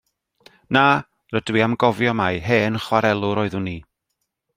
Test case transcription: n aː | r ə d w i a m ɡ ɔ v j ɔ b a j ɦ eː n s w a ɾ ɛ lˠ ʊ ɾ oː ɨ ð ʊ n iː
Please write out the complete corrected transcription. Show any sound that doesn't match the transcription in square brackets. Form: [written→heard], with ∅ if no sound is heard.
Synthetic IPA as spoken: n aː | r ə d w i a m ɡ ɔ v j ɔ [b→m] a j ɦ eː n [s→χ] w a ɾ ɛ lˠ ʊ ɾ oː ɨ ð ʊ n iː